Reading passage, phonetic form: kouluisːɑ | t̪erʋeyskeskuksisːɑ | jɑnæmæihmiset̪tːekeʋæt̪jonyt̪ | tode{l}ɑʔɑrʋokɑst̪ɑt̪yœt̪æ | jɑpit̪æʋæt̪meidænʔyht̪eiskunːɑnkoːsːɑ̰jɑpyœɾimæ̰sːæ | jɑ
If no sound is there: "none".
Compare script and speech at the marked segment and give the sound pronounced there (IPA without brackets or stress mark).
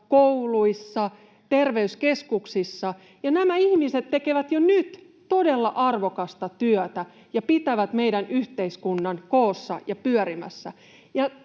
lː